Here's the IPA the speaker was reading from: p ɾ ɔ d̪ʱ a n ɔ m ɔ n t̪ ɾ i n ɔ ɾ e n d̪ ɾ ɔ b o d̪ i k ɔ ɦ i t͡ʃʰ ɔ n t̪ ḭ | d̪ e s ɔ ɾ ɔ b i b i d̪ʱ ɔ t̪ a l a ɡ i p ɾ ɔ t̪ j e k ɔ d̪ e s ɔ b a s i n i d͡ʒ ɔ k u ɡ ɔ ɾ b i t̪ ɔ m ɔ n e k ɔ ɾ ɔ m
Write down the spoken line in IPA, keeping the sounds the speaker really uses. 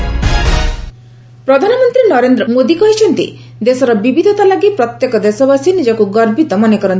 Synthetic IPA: p ɾ ɔ d̪ʱ a n ɔ m ɔ n t̪ ɾ i n ɔ ɾ e n d̪ ɾ ɔ m o d̪ i k ɔ ɦ i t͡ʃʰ ɔ n t̪ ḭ | d̪ e s ɔ ɾ ɔ b i b i d̪ʱ ɔ t̪ a l a ɡ i p ɾ ɔ t̪ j e k ɔ d̪ e s ɔ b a s i n i d͡ʒ ɔ k u ɡ ɔ ɾ b i t̪ ɔ m ɔ n e k ɔ ɾ ɔ n